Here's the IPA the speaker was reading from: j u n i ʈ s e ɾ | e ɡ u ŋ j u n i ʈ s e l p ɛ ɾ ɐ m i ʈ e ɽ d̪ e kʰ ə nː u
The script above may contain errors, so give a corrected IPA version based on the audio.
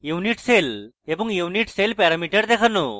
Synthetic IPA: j u n i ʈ s e l | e b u ŋ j u n i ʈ s e l p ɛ ɾ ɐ m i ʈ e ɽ d̪ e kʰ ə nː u